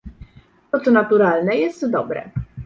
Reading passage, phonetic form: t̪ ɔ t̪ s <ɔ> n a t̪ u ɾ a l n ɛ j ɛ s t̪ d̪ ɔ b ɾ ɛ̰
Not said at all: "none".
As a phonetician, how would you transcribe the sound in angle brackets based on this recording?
ɔ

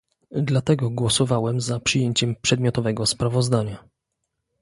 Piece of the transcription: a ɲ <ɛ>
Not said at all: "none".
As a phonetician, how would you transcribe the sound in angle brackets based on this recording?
a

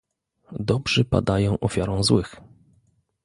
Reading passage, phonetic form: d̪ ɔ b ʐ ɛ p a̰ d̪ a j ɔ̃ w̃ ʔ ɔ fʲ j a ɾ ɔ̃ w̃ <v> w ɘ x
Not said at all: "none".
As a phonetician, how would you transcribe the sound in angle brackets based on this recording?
z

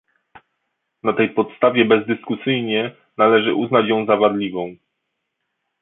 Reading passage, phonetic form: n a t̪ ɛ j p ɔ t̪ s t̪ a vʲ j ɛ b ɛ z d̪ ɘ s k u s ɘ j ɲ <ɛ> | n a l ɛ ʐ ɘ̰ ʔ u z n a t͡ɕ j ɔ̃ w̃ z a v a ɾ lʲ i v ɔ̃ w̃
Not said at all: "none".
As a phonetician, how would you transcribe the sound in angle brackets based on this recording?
ɛ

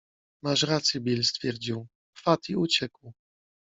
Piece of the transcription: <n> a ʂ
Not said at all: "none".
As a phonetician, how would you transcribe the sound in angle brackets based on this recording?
m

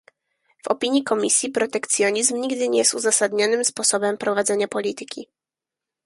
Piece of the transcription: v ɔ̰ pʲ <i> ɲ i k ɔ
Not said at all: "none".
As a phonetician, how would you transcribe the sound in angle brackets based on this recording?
i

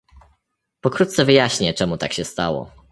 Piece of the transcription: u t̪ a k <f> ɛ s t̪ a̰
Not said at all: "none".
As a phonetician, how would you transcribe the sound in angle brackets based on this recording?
ɕ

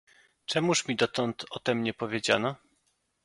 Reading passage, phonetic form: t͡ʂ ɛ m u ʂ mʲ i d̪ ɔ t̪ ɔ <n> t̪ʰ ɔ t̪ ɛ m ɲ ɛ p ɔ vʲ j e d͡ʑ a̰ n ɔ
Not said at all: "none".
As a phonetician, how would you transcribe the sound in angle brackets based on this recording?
n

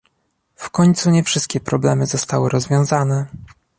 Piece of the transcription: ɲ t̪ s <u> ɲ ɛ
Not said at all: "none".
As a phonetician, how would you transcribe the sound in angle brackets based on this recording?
u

